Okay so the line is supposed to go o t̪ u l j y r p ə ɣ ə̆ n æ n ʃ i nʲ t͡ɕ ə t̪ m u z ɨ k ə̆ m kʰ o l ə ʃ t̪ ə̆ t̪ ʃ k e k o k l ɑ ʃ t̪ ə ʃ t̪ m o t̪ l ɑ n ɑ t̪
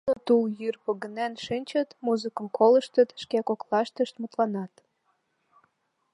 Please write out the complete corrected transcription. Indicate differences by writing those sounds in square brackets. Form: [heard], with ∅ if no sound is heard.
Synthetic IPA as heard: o t̪ u l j y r p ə ɣ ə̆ n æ n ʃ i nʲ t͡ɕ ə t̪ m u z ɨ k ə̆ m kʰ o l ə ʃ t̪ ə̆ t̪ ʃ k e k o k l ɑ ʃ t̪ ə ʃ t̪ m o t̪ l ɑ n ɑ t̪